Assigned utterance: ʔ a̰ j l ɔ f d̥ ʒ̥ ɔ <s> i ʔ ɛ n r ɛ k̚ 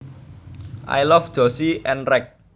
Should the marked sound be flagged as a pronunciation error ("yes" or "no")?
no